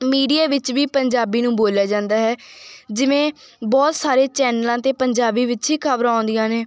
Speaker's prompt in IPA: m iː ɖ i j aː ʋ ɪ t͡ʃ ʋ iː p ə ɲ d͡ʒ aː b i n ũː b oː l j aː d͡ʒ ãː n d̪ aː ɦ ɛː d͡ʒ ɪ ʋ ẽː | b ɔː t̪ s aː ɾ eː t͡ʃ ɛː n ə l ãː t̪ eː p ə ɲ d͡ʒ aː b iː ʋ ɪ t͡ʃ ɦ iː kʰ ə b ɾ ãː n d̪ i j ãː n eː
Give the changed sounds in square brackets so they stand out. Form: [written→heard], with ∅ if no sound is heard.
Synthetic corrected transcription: m iː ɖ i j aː ʋ ɪ t͡ʃ ʋ iː p ə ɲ d͡ʒ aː b [i→iː] n ũː b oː l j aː d͡ʒ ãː n d̪ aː ɦ ɛː d͡ʒ ɪ ʋ ẽː | b ɔː t̪ s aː ɾ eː t͡ʃ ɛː n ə l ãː t̪ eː p ə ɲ d͡ʒ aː b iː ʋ ɪ t͡ʃ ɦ iː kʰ ə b ɾ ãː n d̪ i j ãː n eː